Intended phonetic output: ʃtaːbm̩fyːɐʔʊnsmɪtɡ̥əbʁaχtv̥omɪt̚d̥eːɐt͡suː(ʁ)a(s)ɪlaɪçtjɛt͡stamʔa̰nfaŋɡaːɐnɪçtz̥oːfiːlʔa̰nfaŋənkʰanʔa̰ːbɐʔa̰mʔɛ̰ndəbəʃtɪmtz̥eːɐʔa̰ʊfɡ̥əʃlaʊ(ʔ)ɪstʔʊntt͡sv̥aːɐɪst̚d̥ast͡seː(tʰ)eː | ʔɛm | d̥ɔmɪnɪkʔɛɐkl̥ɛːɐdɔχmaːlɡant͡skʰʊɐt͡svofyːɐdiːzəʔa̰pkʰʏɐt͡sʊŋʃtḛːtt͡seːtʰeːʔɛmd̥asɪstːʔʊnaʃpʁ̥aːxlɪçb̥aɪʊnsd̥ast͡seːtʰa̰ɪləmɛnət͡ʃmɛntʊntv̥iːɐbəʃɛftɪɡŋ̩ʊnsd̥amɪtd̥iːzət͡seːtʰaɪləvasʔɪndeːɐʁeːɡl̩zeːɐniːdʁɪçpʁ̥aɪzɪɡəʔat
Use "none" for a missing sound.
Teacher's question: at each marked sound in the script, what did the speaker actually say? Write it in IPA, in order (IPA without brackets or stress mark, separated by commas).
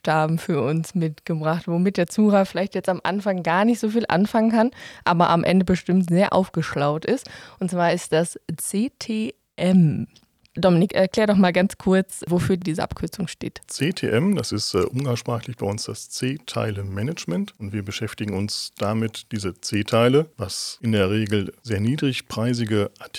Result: ʁ, f, t, tʰ